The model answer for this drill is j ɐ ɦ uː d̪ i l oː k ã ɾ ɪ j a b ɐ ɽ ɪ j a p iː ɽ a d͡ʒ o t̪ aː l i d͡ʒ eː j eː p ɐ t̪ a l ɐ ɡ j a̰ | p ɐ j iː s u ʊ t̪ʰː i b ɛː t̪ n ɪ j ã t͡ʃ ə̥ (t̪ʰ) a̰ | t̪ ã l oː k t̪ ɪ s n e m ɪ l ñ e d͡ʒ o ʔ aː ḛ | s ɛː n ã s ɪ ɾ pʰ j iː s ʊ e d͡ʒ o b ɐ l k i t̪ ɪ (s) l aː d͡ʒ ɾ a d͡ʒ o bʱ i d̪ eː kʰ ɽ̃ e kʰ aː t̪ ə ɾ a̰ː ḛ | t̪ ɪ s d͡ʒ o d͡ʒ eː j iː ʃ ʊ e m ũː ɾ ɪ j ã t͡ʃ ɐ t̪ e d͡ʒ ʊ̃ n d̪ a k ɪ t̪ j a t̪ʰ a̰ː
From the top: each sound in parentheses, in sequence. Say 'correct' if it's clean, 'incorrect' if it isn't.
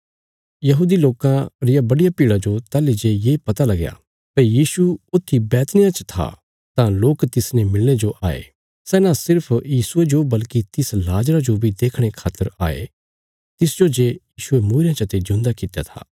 correct, correct

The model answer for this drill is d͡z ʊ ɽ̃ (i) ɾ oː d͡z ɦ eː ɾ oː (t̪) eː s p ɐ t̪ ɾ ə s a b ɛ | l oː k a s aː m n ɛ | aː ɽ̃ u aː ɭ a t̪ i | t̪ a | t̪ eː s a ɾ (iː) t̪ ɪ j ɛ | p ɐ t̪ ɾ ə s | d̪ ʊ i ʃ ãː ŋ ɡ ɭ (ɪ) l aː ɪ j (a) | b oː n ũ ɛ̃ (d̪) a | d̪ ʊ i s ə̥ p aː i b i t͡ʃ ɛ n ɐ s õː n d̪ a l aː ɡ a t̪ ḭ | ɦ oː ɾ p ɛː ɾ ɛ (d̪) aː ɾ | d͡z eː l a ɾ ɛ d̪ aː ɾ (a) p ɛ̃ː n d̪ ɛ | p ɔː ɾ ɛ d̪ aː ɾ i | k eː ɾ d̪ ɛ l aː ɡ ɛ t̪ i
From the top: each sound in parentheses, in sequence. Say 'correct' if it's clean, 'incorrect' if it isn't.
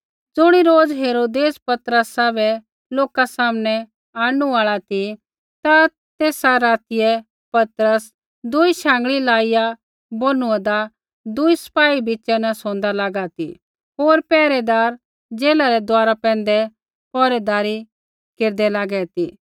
correct, incorrect, incorrect, incorrect, correct, correct, correct, correct

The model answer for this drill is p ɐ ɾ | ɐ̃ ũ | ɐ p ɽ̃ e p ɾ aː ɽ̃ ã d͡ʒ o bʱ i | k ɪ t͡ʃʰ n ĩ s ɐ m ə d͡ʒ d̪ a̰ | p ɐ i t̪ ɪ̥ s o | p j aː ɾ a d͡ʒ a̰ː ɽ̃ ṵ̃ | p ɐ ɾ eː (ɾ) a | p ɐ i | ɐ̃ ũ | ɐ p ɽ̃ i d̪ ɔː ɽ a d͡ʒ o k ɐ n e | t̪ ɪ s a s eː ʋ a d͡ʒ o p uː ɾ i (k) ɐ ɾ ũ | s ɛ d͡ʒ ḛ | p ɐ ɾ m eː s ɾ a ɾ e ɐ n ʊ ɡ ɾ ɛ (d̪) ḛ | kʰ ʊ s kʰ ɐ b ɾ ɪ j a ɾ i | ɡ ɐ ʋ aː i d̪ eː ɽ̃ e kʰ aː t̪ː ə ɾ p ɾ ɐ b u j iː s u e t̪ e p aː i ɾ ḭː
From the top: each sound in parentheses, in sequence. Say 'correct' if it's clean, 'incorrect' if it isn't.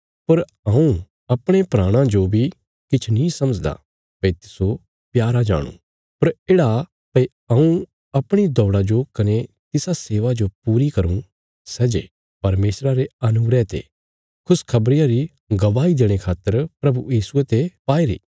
incorrect, correct, incorrect

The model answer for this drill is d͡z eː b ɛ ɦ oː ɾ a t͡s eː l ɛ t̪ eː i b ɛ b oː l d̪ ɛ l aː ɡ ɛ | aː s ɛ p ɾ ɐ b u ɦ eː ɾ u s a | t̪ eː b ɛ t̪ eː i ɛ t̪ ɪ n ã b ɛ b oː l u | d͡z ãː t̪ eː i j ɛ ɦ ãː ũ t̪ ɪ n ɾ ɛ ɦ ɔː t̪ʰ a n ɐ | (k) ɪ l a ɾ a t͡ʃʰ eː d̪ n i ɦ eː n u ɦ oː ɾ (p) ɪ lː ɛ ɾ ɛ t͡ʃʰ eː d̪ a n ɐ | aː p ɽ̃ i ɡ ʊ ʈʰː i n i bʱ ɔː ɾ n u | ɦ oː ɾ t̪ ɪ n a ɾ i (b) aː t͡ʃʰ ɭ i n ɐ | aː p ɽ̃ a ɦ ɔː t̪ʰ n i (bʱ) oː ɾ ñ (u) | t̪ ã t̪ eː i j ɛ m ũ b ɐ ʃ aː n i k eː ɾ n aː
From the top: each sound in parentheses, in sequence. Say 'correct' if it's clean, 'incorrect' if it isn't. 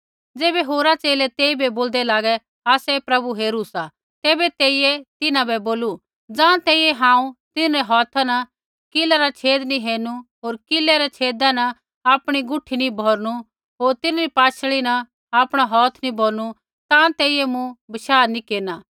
correct, incorrect, incorrect, correct, correct

